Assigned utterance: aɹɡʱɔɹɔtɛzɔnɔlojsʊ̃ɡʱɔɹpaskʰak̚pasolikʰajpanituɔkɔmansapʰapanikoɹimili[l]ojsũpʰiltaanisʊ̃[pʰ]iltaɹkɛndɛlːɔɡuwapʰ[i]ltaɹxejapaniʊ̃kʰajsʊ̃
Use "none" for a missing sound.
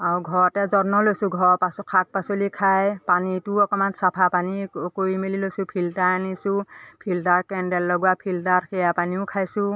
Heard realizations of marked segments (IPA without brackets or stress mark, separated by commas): l, pʰ, i